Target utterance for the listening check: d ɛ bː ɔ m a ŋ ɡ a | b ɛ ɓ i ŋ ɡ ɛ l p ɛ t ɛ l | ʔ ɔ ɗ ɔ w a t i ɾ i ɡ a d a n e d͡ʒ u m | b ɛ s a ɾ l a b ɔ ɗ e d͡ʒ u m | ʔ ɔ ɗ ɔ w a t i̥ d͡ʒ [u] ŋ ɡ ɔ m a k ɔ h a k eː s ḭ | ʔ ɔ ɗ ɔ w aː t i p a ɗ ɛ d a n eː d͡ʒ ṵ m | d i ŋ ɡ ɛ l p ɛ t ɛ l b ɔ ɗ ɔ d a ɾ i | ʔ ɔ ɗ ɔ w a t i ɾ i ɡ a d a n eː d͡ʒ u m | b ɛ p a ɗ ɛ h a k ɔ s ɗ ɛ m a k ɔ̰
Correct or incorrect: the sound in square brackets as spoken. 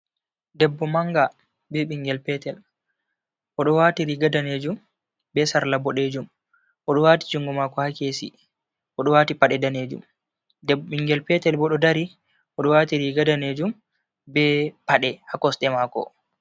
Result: correct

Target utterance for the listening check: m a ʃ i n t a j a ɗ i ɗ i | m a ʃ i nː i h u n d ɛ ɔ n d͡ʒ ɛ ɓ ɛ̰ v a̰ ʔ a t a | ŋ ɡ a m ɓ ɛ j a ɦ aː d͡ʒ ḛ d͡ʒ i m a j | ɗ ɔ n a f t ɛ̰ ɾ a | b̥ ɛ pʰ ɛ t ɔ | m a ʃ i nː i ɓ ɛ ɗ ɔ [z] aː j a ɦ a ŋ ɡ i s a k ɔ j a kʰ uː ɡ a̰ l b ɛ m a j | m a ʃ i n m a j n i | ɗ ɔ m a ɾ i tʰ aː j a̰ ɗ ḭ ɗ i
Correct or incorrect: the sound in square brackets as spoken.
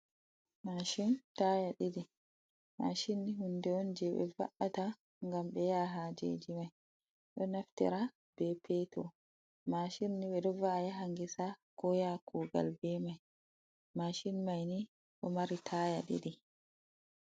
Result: incorrect: v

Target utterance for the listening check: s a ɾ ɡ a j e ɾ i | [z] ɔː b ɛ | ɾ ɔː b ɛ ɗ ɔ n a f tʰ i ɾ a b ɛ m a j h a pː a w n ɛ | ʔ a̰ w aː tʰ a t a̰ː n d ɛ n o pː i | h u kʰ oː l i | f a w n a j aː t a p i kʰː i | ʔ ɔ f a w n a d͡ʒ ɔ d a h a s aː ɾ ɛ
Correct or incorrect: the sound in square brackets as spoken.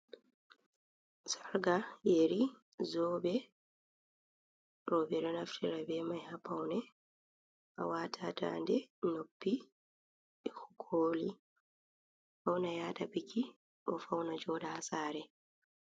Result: correct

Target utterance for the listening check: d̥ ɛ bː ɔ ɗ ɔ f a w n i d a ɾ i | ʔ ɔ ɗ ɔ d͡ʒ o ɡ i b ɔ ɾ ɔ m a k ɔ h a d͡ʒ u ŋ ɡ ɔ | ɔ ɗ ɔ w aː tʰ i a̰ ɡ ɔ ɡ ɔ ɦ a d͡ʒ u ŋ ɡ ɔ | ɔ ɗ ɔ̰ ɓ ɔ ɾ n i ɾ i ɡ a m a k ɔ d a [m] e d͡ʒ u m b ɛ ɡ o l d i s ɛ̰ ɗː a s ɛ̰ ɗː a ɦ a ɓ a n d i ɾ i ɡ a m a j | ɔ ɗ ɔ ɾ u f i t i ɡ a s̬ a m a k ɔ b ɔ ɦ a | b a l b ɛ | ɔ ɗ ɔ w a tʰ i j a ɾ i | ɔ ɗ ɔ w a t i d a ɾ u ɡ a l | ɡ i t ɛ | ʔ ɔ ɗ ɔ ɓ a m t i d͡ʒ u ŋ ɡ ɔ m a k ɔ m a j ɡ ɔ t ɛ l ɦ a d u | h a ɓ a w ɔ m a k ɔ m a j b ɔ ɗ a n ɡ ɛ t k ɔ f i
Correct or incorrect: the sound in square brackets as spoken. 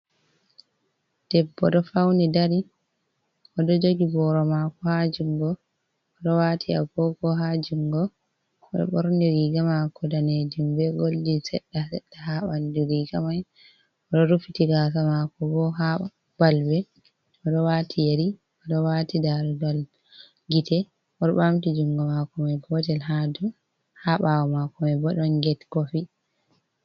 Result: incorrect: n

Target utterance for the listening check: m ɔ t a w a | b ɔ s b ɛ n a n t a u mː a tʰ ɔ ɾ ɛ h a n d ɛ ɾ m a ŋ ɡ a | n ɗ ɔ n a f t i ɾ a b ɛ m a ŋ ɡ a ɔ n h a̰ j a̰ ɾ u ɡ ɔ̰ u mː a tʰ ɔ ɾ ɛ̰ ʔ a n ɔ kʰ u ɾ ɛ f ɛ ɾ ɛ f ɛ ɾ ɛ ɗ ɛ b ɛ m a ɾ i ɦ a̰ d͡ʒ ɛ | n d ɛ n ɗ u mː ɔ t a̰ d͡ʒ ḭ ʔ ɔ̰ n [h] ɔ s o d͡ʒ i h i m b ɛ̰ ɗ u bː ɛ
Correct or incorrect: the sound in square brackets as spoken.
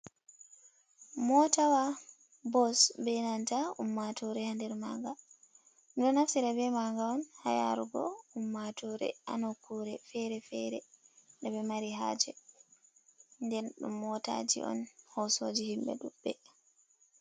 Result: correct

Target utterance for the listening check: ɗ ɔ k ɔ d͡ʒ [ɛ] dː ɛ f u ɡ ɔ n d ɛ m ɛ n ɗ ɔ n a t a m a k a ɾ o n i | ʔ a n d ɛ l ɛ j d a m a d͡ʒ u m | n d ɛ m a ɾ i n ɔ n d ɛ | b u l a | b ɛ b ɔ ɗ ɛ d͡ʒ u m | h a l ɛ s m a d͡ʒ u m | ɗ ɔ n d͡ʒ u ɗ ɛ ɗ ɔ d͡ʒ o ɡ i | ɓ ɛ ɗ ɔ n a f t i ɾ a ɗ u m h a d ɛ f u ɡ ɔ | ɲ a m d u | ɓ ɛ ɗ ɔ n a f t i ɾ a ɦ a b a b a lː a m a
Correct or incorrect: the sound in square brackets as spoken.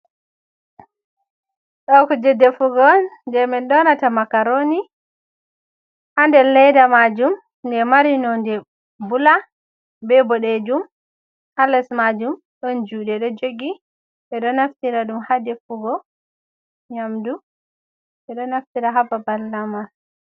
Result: correct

